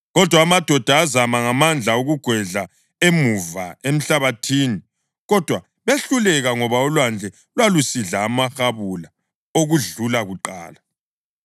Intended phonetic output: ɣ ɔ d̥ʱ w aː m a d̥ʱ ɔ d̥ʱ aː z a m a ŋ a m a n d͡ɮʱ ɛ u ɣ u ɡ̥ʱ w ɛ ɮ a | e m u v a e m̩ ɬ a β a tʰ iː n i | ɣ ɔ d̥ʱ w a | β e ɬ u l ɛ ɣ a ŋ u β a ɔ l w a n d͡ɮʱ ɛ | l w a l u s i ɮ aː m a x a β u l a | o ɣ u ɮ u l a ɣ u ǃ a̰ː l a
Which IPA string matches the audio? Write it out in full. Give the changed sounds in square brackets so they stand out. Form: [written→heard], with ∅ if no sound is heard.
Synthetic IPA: ɣ ɔ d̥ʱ w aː m a d̥ʱ ɔ d̥ʱ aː z a m a ŋ a m a n d͡ɮʱ [ɛ→a] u ɣ u ɡ̥ʱ w ɛ ɮ a | e m u v a e m̩ ɬ a β a tʰ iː n i | ɣ ɔ d̥ʱ w a | β e ɬ u l ɛ ɣ a ŋ [u→ɔ] β a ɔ l w a n d͡ɮʱ ɛ | l w a l u s i ɮ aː m a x a β u l a | o ɣ u ɮ u l a ɣ u ǃ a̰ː l a